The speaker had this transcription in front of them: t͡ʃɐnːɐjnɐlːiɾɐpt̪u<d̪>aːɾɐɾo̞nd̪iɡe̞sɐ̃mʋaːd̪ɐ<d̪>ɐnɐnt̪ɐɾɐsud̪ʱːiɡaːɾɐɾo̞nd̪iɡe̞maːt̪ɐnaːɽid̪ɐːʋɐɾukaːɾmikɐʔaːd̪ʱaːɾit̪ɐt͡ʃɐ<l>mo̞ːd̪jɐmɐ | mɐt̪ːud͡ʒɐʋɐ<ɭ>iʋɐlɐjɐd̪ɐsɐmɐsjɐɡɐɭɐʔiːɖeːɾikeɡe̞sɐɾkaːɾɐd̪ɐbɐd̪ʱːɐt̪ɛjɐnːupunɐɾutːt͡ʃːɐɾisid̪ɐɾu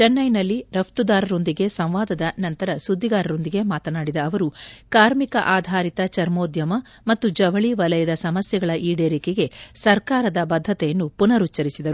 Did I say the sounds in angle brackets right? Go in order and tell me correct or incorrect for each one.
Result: correct, correct, incorrect, correct

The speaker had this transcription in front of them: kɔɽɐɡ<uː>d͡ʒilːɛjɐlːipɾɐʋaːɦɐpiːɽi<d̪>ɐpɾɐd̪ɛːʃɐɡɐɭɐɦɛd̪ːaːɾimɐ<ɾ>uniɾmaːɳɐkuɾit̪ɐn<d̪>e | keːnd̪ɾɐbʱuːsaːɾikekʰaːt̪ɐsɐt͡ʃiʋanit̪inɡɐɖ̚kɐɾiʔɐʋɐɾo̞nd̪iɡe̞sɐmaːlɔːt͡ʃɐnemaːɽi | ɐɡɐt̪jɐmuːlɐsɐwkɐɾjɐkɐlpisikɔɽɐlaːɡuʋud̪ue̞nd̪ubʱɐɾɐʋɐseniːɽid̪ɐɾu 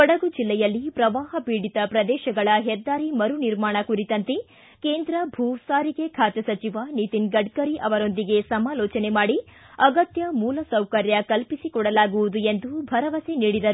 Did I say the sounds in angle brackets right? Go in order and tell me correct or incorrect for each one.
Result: incorrect, incorrect, correct, incorrect

